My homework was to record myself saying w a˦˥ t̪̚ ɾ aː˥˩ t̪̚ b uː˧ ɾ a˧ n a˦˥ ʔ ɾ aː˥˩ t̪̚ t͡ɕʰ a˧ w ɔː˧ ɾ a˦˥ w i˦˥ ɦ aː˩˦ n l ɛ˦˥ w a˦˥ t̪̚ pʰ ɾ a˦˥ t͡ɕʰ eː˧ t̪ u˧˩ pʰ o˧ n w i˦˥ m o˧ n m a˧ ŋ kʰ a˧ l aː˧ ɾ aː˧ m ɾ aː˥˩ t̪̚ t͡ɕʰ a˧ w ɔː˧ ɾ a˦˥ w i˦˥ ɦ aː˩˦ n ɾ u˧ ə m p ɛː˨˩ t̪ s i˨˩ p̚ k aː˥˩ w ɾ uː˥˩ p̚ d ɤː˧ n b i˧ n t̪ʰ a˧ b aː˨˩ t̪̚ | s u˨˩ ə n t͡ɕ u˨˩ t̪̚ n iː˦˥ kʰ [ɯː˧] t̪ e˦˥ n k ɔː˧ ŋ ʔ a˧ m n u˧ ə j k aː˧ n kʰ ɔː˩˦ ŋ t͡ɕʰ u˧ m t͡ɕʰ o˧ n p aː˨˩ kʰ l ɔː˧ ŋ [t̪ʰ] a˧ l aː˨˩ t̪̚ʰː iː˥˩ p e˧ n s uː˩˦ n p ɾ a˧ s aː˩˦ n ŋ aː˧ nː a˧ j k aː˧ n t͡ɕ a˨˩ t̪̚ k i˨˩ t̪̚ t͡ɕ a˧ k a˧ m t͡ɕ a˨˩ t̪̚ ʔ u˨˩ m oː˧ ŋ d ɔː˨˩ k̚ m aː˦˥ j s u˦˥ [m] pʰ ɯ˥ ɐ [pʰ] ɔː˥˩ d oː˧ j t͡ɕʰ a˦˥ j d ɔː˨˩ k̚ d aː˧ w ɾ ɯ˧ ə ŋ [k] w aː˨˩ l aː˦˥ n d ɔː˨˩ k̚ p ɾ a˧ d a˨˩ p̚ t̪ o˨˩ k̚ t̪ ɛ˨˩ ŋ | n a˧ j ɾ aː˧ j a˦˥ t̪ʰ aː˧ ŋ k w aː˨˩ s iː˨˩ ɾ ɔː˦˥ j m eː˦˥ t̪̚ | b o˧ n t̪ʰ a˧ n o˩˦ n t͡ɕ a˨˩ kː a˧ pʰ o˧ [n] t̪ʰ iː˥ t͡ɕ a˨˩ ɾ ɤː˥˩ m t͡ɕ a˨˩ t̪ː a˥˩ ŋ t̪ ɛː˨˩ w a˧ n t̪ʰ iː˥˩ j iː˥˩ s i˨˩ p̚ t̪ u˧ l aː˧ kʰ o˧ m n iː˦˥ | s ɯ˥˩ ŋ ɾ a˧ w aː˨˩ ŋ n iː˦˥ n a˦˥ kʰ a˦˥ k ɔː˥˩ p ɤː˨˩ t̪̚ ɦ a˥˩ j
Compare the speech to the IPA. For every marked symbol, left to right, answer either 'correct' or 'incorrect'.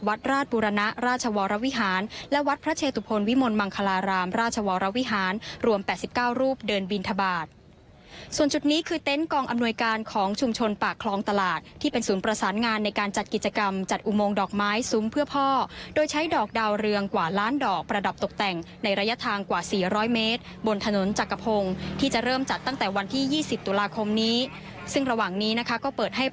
correct, incorrect, correct, correct, correct, incorrect

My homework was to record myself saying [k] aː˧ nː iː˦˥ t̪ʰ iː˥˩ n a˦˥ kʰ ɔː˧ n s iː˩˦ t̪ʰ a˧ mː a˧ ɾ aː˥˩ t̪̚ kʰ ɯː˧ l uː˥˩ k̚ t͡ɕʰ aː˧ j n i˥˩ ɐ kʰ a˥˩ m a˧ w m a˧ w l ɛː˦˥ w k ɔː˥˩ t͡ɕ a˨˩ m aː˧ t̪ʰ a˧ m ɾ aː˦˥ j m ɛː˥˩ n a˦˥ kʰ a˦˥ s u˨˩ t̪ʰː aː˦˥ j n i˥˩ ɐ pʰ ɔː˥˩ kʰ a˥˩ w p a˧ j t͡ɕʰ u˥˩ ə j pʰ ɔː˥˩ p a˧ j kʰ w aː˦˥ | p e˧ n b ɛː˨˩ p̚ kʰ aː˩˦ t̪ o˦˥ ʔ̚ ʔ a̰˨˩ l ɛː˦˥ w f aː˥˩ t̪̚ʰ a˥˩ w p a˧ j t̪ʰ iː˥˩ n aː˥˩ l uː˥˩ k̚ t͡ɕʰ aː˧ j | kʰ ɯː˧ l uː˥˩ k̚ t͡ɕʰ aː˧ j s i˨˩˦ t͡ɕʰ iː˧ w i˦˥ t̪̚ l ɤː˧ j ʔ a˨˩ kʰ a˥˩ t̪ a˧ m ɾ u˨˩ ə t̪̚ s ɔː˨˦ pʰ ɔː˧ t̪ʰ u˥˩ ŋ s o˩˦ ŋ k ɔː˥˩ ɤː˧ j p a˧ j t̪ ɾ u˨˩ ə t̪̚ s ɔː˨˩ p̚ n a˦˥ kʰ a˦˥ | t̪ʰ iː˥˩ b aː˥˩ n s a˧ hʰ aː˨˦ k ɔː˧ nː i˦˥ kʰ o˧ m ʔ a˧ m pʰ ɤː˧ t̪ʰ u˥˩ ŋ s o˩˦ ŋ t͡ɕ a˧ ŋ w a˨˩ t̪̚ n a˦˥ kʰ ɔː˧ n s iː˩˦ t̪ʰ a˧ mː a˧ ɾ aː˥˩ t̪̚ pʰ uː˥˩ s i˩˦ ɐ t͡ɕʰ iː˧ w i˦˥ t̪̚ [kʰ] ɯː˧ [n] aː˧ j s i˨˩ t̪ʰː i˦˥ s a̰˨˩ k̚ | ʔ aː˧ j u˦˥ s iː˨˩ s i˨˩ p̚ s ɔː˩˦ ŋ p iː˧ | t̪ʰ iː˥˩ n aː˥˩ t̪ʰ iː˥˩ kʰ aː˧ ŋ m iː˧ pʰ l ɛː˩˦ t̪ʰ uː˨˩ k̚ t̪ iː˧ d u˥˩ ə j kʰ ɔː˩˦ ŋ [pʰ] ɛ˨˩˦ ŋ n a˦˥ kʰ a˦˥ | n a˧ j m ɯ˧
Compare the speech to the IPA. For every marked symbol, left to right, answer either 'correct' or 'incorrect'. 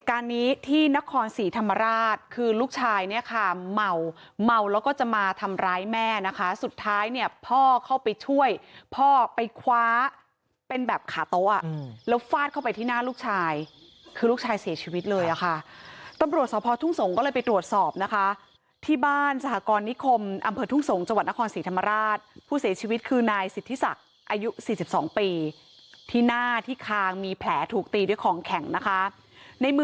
correct, correct, correct, incorrect

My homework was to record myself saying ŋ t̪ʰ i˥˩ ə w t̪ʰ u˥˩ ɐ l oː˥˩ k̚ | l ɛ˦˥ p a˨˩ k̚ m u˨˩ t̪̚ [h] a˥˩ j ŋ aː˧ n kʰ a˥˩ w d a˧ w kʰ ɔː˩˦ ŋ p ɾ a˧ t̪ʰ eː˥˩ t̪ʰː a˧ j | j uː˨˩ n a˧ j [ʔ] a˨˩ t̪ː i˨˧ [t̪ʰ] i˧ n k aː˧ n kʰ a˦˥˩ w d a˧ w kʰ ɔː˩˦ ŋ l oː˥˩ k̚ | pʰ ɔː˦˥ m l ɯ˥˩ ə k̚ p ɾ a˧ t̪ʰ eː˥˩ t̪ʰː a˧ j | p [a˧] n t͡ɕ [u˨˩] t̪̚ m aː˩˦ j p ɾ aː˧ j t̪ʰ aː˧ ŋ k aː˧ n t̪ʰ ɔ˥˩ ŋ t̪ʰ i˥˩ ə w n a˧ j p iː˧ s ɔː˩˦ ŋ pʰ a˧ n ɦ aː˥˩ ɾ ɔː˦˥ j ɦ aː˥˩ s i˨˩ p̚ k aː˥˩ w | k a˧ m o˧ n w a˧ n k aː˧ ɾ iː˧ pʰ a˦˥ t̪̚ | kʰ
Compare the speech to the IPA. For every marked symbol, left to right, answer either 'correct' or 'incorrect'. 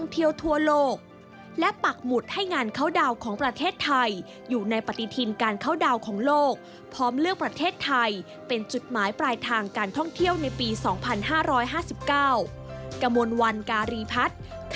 correct, incorrect, correct, incorrect, correct

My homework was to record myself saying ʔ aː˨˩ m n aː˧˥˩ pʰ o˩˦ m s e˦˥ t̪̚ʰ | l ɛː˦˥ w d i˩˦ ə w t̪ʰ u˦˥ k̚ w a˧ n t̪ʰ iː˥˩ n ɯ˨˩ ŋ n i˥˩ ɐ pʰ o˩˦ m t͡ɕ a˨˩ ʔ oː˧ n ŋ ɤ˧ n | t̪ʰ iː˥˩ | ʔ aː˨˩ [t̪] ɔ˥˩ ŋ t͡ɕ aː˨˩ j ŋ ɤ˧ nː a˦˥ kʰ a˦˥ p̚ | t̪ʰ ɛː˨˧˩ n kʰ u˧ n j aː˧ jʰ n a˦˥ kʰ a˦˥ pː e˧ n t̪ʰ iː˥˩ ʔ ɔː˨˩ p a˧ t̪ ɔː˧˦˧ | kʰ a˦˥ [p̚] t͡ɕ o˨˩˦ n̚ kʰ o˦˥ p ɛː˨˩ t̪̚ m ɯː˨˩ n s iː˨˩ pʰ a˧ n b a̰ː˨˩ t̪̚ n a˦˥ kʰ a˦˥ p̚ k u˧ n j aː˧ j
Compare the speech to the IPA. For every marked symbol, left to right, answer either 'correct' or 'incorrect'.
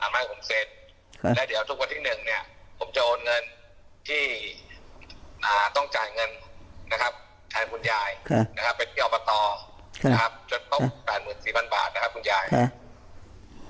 correct, correct

